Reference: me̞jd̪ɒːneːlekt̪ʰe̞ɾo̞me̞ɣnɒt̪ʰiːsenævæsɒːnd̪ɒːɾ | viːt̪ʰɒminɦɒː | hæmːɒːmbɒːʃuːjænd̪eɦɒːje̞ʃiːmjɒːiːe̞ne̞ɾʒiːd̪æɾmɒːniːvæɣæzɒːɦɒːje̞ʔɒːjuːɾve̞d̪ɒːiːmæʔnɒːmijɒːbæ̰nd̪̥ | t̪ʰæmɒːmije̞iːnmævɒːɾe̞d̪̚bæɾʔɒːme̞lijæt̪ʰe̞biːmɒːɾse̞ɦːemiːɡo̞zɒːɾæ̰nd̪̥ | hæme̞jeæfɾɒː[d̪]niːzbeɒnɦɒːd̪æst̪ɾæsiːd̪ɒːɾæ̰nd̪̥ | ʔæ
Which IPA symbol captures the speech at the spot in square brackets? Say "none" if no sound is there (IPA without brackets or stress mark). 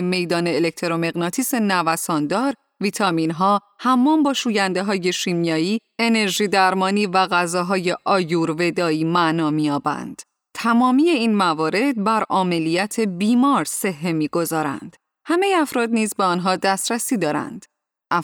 d̪